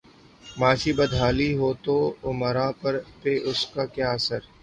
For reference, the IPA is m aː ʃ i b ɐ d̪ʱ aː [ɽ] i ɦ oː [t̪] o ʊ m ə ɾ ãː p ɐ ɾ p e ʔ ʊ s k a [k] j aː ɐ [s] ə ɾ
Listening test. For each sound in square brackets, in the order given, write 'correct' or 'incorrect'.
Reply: incorrect: l, correct, correct, correct

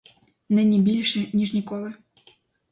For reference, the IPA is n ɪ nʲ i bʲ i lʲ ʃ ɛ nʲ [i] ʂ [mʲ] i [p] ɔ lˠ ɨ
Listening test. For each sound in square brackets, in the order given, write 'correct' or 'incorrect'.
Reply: correct, incorrect: nʲ, incorrect: k

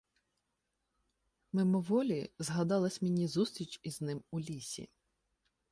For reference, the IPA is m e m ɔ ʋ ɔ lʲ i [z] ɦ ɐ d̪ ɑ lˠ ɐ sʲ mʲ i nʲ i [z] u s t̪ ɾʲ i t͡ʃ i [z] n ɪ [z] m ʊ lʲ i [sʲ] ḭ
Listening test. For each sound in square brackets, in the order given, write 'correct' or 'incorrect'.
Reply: correct, correct, correct, incorrect: none, correct

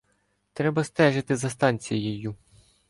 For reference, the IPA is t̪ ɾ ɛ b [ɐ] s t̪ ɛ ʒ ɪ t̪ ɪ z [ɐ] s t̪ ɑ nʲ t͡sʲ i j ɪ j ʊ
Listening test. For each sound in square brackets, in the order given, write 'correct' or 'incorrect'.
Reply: correct, correct

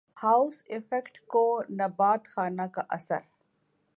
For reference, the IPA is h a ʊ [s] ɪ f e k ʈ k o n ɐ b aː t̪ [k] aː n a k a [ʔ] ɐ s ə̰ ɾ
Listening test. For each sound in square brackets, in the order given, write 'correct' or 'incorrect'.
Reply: correct, incorrect: x, correct

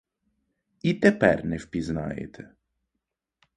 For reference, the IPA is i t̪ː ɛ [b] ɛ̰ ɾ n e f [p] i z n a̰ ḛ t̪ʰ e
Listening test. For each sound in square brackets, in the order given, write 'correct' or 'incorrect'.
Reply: incorrect: p, correct

